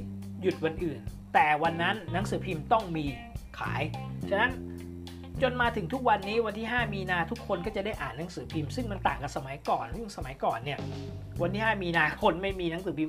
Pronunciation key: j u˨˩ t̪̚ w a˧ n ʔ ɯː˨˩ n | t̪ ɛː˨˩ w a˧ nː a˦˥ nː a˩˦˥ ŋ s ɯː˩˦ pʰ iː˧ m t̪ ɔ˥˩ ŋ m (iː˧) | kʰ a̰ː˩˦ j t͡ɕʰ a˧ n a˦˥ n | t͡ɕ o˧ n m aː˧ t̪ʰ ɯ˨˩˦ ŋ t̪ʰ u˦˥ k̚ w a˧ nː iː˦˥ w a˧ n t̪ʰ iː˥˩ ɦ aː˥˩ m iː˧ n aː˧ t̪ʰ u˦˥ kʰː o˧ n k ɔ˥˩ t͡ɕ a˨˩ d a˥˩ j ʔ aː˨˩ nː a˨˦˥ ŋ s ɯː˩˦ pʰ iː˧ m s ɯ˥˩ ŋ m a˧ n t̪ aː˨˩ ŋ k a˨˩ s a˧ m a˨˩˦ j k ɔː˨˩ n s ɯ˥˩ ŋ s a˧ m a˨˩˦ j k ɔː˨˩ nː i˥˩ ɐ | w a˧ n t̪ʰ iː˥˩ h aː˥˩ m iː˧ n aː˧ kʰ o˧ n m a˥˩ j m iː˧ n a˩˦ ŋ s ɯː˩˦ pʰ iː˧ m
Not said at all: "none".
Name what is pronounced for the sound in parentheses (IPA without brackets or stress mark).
iː˧